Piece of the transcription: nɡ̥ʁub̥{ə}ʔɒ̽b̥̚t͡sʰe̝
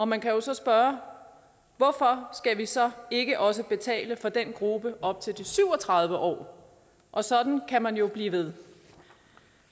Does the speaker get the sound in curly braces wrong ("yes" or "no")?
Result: no